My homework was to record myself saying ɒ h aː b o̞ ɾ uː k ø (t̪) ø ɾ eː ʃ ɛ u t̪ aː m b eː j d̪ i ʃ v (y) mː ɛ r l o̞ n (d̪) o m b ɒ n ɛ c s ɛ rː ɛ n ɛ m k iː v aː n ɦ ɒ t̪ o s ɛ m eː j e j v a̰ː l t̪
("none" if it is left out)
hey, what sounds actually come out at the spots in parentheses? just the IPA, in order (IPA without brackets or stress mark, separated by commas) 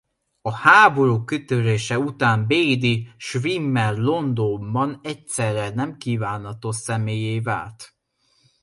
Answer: t̪, i, d̪